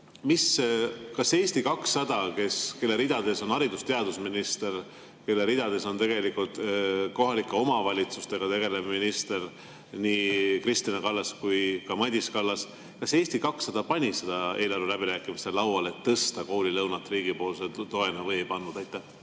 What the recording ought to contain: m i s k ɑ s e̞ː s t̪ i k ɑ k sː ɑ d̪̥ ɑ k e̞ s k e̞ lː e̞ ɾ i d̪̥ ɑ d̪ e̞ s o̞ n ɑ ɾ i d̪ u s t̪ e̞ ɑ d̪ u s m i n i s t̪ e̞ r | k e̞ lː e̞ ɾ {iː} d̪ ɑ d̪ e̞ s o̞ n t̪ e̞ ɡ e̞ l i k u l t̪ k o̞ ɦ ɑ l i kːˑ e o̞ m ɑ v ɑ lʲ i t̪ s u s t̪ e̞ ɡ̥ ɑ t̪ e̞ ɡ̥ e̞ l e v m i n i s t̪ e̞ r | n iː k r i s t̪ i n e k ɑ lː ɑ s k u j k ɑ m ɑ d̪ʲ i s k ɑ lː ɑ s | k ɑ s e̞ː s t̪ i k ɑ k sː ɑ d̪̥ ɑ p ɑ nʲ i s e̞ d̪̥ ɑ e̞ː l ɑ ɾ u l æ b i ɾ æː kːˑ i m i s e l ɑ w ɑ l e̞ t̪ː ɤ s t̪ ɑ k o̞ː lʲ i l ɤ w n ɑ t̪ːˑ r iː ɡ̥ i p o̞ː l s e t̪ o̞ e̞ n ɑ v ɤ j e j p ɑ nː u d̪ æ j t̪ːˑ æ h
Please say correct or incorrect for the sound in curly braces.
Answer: incorrect